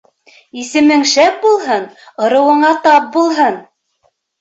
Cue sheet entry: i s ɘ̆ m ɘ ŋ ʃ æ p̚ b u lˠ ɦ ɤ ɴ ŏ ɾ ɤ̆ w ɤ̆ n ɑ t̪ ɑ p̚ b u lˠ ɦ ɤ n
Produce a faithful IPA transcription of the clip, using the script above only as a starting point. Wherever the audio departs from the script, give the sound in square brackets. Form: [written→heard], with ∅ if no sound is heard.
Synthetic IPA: i s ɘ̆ m ɘ ŋ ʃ æ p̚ b u lˠ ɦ ɤ [ɴ→n] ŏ ɾ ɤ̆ w ɤ̆ [n→ɴ] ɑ t̪ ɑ p̚ b u lˠ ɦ ɤ n